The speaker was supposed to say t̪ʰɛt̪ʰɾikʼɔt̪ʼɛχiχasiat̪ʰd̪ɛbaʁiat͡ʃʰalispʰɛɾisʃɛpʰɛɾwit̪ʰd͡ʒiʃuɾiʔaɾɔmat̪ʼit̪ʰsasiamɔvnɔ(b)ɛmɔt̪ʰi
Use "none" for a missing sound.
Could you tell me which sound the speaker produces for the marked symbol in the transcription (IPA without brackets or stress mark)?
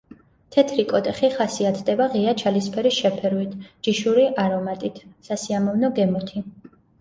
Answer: ɡ